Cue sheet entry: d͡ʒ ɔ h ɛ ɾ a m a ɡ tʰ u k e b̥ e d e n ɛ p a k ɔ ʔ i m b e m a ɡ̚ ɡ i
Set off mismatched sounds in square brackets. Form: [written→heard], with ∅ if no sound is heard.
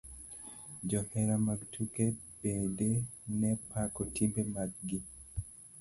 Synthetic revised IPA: d͡ʒ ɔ h ɛ ɾ a m a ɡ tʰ u k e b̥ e d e n ɛ p a k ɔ [ʔ→t] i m b e m a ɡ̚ ɡ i